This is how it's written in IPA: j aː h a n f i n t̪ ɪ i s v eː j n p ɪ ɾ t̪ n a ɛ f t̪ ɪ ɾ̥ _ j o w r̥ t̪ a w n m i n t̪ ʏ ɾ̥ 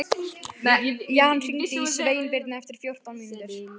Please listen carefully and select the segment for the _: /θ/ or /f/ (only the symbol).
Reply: f